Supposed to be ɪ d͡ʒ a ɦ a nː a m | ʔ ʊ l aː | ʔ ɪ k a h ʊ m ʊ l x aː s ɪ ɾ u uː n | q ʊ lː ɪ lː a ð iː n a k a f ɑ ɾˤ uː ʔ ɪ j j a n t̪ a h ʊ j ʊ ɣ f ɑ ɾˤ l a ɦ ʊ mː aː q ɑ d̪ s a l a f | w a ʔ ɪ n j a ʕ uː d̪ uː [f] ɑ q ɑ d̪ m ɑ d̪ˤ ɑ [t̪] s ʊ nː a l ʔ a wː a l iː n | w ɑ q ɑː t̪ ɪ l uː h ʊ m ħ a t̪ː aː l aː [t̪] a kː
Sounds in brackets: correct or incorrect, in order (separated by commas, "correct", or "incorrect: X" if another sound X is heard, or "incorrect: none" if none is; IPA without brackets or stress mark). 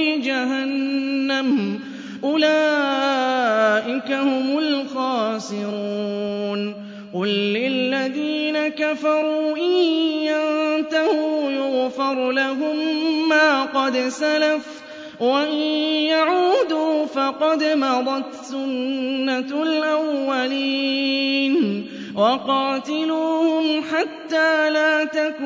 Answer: correct, correct, correct